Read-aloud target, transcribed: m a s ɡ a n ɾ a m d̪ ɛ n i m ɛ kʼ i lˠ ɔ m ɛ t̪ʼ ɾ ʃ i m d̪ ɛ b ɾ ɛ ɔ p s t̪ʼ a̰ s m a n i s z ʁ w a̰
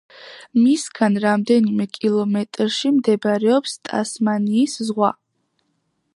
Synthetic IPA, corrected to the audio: m i s ɡ a n ɾ a m d̪ ɛ n i m ɛ kʼ i lˠ ɔ m ɛ t̪ʼ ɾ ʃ i m d̪ ɛ b ɾ ɛ ɔ p s t̪ʼ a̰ s m a n iː s z ʁ w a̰